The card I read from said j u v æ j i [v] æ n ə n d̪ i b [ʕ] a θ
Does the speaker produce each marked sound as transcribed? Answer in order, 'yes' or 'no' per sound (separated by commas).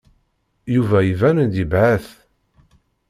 yes, yes